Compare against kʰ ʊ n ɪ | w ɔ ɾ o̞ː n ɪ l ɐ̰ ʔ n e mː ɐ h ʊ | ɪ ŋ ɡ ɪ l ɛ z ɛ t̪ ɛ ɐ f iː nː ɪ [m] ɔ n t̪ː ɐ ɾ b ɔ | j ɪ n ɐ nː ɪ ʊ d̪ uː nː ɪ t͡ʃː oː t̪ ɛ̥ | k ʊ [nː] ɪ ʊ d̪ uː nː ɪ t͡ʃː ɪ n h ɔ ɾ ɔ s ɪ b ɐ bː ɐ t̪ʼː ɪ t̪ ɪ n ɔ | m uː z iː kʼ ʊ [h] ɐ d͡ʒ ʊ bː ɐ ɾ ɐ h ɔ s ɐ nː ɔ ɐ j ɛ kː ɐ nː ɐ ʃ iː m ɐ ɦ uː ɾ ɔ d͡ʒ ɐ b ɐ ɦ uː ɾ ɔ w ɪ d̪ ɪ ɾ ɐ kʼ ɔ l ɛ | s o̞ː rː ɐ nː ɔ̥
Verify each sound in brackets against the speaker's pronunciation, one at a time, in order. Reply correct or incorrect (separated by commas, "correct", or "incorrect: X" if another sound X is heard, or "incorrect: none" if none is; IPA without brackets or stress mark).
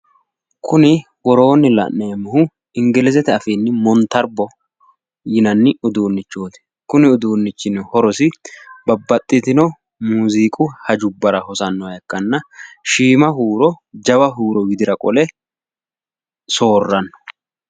correct, incorrect: n, correct